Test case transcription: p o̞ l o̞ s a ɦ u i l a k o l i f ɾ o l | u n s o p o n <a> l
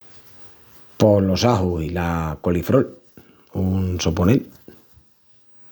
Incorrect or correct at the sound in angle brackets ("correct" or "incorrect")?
incorrect